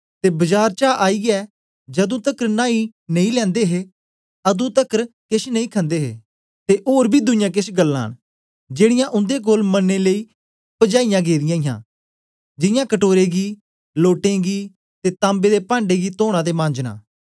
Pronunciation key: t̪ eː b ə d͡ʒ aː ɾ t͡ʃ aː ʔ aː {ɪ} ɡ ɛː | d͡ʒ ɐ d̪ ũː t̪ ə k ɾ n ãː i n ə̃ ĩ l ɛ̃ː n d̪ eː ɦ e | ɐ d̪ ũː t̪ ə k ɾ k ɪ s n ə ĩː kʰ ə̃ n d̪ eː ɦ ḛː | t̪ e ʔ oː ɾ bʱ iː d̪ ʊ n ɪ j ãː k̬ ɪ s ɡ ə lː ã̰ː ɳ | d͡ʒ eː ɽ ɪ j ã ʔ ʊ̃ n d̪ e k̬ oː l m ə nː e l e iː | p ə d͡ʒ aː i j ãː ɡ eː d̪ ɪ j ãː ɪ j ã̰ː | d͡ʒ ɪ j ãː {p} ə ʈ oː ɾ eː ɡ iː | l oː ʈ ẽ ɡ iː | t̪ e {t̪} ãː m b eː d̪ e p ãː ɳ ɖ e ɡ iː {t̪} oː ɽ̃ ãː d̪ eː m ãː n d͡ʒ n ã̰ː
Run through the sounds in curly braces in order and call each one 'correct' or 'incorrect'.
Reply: incorrect: i, incorrect: k, correct, correct

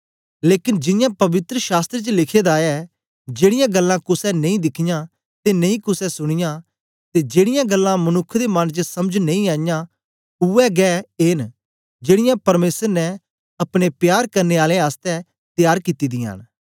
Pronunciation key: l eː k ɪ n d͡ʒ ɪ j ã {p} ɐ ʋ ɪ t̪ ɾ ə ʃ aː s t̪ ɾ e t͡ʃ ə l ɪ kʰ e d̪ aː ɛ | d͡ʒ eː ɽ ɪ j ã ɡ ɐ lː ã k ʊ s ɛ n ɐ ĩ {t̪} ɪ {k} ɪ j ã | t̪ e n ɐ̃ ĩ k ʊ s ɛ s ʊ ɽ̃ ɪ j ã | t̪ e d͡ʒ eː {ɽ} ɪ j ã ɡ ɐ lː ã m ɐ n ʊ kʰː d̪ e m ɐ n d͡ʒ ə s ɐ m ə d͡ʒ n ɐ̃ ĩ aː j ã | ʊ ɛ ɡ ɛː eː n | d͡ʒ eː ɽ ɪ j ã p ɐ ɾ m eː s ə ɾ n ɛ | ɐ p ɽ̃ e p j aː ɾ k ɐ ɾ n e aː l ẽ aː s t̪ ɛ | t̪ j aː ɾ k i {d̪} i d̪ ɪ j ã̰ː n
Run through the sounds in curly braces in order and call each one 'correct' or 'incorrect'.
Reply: correct, incorrect: d̪, incorrect: kʰ, correct, incorrect: t̪

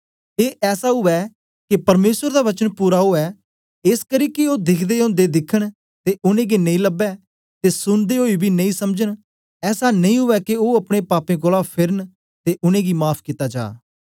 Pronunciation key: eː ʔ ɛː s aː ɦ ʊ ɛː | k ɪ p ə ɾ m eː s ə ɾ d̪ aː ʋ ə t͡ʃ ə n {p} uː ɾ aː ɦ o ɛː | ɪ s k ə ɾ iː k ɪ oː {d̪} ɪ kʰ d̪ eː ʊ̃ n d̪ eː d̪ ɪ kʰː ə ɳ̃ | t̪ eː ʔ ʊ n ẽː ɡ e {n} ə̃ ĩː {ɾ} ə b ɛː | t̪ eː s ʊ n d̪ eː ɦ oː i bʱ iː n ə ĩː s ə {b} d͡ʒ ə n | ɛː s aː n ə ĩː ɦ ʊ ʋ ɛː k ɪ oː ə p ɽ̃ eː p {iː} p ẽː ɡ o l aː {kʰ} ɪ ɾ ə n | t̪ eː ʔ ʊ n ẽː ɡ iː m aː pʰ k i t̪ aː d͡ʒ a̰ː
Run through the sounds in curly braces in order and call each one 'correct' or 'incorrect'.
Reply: correct, correct, correct, incorrect: l, incorrect: m, incorrect: aː, incorrect: pʰ

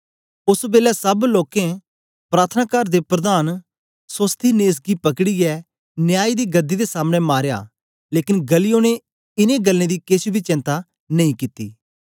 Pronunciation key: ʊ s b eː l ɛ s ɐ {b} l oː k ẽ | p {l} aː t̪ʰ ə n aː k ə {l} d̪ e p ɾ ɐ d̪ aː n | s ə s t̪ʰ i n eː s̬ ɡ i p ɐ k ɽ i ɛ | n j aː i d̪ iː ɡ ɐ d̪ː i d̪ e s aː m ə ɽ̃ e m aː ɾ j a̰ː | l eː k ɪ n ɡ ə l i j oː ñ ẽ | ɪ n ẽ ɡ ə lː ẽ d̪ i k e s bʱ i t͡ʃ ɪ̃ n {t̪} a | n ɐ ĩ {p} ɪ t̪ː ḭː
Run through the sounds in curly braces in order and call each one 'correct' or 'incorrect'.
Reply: correct, incorrect: ɾ, incorrect: ɾ, correct, incorrect: k

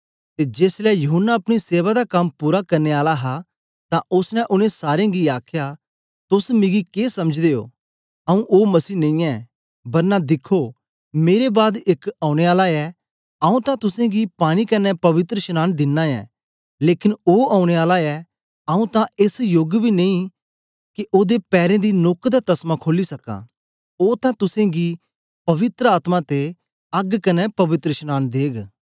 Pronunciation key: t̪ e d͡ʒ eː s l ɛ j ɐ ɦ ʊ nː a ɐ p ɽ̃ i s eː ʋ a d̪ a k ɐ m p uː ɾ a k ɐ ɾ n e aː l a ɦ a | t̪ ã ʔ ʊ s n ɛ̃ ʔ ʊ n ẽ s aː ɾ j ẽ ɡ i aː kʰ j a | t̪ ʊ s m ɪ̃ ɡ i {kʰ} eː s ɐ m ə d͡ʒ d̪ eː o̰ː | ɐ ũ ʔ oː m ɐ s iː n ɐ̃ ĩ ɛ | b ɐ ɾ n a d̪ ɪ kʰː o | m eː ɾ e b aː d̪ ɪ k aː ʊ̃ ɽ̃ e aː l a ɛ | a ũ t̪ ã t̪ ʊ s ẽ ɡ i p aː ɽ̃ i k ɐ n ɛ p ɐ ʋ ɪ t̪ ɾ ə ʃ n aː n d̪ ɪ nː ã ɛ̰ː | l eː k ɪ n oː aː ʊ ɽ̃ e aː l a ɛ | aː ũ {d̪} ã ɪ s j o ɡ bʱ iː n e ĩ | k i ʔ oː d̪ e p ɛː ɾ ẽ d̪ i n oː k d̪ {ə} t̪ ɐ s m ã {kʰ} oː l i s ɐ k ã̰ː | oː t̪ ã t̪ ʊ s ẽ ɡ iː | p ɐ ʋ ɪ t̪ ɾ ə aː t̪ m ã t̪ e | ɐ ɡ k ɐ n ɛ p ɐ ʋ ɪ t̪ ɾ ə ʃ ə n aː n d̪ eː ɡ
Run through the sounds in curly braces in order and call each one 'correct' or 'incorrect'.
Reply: incorrect: k, incorrect: t̪, incorrect: a, correct

